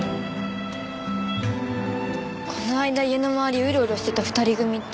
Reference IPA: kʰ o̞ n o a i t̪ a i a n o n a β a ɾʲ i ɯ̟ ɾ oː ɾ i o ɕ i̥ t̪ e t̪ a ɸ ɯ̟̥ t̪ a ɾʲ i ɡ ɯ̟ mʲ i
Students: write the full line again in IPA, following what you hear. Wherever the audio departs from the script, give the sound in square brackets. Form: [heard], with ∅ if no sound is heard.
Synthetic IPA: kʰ o̞ n o a i [d̪] a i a n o [m] a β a ɾʲ i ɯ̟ ɾ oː ɾ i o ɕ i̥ t̪ e t̪ a ɸ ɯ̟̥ t̪ a ɾʲ i ɡ ɯ̟ mʲ i